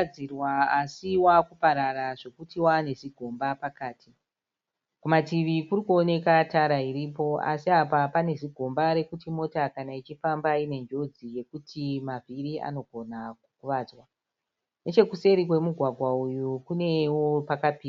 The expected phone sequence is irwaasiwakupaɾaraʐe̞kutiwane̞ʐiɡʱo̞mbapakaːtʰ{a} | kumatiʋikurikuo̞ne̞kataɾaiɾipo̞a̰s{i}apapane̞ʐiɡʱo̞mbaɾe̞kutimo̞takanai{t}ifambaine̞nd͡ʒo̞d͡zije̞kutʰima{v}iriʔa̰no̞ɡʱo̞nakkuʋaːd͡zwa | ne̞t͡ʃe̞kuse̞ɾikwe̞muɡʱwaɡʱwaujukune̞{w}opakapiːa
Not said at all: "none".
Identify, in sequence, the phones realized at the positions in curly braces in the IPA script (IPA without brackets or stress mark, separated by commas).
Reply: i, i, t͡ʃ, v, w